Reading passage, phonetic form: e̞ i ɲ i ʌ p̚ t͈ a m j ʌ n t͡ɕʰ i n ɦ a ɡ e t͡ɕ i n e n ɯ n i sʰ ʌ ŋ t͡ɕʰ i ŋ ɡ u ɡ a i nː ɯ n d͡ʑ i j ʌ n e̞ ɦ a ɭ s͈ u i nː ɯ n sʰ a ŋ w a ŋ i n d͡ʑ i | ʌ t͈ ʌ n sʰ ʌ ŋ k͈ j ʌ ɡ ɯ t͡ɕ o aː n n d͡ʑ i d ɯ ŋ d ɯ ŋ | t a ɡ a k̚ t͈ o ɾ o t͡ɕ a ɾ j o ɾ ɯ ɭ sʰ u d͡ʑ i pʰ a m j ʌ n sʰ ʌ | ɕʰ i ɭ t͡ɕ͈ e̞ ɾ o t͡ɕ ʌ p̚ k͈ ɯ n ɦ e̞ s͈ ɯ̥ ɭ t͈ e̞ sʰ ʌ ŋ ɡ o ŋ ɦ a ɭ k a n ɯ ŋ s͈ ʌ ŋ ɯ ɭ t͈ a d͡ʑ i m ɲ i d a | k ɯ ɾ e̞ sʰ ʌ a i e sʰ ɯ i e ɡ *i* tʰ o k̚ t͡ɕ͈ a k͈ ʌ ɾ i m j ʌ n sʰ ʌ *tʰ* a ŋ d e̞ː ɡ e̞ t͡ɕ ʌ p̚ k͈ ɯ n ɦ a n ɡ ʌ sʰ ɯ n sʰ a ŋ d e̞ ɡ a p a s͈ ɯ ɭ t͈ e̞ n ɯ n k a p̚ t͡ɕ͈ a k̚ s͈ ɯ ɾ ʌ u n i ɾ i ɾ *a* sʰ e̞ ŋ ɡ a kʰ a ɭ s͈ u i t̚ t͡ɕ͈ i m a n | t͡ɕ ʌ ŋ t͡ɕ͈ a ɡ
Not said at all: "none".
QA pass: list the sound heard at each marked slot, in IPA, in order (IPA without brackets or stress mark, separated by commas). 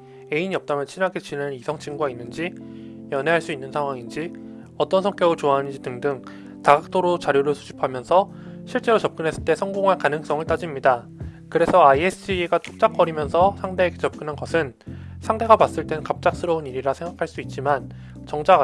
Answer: a, sʰ, a